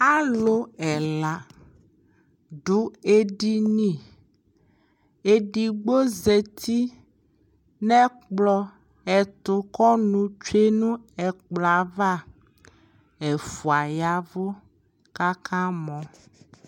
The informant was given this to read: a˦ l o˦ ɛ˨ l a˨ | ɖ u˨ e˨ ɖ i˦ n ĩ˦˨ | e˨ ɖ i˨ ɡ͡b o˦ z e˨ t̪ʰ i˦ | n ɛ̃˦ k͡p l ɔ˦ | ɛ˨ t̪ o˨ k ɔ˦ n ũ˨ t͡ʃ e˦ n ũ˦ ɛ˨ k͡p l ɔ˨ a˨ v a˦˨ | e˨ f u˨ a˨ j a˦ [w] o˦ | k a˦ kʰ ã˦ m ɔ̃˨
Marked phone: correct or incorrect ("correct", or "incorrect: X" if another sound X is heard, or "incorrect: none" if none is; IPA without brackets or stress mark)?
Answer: incorrect: v